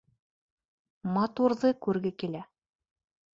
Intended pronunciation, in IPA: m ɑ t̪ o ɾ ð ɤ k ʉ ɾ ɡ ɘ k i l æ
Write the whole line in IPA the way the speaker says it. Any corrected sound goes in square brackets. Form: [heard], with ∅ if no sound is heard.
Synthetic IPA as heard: m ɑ t̪ [u] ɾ ð ɤ k ʉ ɾ ɡ ɘ k i l æ